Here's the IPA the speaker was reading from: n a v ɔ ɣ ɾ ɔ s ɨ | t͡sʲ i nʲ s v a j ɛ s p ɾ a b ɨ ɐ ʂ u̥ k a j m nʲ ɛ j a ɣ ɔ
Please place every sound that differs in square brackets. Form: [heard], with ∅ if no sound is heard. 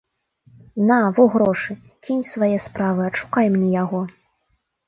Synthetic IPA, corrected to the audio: n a v ɔ ɣ ɾ ɔ [ʂ] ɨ | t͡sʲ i nʲ s v a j ɛ s p ɾ a [v] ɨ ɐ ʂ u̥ k a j m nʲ ɛ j a ɣ ɔ